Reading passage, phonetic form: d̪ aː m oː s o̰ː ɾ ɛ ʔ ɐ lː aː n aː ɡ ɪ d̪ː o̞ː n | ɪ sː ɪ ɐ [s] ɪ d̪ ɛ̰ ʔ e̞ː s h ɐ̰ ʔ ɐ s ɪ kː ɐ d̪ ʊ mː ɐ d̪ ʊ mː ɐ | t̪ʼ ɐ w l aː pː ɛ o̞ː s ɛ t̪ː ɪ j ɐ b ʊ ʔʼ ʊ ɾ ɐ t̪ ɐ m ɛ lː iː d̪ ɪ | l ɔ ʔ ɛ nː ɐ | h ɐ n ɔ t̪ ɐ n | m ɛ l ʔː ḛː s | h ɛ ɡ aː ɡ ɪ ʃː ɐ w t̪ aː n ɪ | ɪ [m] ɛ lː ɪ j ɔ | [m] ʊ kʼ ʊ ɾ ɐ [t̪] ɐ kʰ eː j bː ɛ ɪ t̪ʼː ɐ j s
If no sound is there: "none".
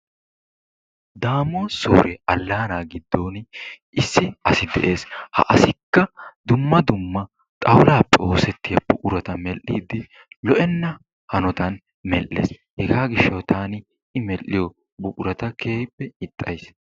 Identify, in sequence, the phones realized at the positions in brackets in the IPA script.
s, m, b, t̪

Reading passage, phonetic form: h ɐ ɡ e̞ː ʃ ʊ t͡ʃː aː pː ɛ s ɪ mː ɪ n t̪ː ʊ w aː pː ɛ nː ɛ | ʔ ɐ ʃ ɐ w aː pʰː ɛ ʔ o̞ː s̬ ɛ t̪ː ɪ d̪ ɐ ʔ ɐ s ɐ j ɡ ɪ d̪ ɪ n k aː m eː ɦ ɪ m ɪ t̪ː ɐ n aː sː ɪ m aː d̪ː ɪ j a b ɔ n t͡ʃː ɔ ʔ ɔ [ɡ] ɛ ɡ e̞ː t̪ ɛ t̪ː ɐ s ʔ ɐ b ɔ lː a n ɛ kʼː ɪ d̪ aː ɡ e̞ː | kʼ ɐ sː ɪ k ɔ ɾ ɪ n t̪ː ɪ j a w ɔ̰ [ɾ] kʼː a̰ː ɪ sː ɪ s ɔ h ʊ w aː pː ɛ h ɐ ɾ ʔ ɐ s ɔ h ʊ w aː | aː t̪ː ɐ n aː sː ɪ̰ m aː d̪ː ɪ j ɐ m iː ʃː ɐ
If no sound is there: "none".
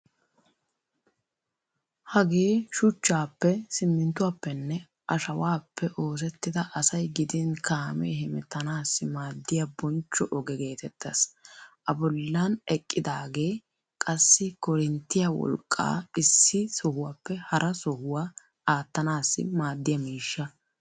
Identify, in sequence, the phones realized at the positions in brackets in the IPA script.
ɡ, l

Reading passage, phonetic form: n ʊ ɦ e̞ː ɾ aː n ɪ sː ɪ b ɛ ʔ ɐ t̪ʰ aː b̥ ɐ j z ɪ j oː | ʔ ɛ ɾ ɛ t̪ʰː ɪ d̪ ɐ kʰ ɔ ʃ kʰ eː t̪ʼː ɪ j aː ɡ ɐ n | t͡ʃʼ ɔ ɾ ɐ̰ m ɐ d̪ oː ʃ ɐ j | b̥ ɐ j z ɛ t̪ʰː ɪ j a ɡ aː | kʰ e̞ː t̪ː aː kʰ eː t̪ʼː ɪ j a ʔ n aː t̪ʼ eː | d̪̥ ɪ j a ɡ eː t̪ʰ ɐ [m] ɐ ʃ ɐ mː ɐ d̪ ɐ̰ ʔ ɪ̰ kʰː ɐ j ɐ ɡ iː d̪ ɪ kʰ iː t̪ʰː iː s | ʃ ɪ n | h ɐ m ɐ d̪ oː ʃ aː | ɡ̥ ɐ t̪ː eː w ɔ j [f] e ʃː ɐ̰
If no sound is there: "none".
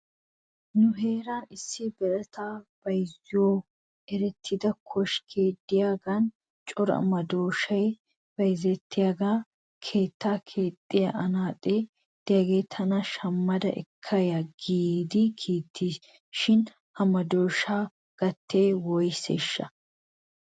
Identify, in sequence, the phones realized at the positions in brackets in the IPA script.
n, s

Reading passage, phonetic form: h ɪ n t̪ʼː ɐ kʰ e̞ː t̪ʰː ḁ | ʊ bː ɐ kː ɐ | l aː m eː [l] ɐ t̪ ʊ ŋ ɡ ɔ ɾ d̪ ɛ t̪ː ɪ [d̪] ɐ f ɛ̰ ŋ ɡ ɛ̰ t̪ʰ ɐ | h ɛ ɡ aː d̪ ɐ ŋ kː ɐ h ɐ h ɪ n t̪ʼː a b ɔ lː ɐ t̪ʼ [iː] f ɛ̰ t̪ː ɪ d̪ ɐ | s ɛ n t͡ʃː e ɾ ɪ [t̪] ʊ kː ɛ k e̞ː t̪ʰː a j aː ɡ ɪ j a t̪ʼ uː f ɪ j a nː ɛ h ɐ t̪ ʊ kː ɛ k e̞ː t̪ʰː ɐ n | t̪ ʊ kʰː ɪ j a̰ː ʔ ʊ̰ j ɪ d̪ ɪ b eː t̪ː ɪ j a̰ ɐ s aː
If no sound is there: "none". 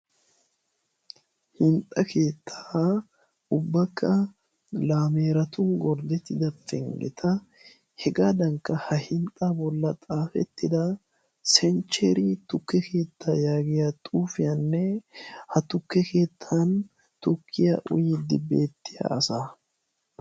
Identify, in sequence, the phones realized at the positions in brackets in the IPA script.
ɾ, d̪, aː, t̪

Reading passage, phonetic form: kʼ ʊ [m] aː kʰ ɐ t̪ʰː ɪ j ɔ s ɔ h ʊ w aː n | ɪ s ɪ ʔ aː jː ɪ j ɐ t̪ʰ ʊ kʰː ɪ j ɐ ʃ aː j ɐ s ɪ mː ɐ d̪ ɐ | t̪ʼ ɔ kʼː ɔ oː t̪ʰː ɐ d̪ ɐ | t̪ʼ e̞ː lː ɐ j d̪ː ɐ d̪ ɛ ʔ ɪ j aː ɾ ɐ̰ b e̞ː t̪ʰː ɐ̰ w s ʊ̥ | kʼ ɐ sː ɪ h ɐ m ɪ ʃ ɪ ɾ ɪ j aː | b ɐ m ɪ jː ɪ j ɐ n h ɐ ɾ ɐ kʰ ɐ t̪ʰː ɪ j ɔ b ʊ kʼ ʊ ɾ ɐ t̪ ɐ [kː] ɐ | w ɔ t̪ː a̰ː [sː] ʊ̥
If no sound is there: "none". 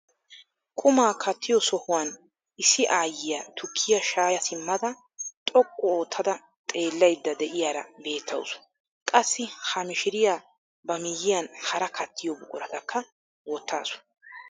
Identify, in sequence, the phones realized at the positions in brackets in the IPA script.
m, kː, s

